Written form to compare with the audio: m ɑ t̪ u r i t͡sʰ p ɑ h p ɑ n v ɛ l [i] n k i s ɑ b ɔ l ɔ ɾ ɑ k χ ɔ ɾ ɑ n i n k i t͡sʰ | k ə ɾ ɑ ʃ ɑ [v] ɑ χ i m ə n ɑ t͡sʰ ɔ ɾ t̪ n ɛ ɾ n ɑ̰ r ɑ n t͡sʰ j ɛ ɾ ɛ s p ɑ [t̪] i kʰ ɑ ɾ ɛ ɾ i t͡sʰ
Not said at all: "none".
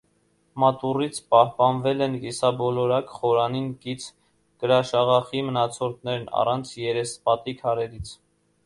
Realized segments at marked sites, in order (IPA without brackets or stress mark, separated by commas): ɛ, ʁ, t̪